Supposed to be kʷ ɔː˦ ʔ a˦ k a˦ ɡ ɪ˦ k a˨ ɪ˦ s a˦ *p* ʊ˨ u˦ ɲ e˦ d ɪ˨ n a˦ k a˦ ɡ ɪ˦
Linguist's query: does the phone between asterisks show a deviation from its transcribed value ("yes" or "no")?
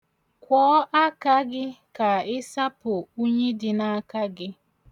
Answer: no